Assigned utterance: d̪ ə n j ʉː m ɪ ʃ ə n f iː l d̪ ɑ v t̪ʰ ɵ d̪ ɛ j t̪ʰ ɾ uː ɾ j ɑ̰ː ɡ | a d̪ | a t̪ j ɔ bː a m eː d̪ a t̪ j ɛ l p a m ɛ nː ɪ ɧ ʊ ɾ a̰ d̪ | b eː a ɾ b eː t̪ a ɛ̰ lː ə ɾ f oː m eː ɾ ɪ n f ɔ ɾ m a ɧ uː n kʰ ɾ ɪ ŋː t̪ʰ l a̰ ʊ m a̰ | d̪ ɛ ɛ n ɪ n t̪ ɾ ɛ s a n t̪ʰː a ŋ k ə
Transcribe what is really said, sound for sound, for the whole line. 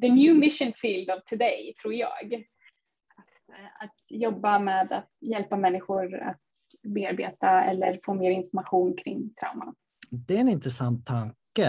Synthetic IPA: d̪ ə n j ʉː m ɪ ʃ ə n f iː l d̪ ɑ v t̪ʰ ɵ d̪ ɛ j t̪ʰ ɾ uː ɾ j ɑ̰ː ɡ | a t̪ | a t̪ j ɔ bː a m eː d̪ a t̪ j ɛ l p a m ɛ nː ɪ ɧ ʊ ɾ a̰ t̪ | b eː a ɾ b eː t̪ a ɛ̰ lː ə ɾ f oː m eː ɾ ɪ n f ɔ ɾ m a ɧ uː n kʰ ɾ ɪ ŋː t̪ʰ ɾ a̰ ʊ m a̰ | d̪ ɛ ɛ n ɪ n t̪ ɾ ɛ s a n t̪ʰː a ŋ k ə